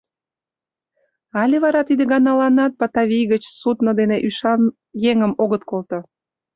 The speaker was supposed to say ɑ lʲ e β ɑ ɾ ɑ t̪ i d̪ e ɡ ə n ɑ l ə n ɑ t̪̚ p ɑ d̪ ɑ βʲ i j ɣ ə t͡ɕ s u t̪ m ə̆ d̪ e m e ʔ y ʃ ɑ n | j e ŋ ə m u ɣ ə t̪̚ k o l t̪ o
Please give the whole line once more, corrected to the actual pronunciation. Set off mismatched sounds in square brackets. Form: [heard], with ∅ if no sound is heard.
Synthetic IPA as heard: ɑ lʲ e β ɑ ɾ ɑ t̪ i d̪ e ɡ [ɑ] n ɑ l [ɑ] n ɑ t̪̚ p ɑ [t̪] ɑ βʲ i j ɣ ə t͡ɕ s u t̪ [n] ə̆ d̪ e [n] e ʔ y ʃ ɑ n | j e ŋ ə m [o] ɣ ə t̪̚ k o l t̪ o